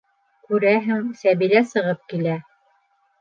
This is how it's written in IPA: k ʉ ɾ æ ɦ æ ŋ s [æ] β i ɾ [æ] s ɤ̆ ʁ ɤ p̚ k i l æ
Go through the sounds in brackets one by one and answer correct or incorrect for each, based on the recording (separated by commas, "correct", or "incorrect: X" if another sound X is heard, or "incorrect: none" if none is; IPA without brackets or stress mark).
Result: correct, correct